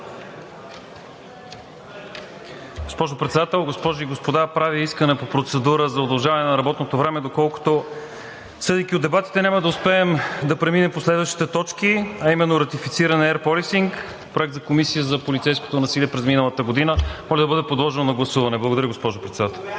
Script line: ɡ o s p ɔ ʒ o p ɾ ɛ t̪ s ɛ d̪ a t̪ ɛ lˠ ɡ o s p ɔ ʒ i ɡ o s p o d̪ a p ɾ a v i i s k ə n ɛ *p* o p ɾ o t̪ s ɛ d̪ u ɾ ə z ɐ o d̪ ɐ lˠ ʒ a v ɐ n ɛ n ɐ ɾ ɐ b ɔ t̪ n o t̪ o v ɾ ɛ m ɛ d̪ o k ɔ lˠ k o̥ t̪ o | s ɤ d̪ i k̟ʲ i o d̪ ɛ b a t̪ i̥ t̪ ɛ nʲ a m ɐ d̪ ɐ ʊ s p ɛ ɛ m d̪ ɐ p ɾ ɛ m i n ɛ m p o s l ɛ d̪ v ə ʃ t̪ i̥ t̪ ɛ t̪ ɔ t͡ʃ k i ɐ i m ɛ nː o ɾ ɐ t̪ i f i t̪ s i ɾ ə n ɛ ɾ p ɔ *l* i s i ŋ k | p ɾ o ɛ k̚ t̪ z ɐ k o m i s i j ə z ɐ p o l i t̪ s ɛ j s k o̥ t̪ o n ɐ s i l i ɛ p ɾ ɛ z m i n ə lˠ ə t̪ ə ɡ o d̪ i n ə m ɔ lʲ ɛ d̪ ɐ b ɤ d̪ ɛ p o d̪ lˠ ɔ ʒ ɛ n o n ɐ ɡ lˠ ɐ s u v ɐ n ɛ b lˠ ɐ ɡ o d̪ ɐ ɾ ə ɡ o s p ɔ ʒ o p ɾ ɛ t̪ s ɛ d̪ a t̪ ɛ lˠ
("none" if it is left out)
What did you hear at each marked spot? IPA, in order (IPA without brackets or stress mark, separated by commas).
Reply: p, l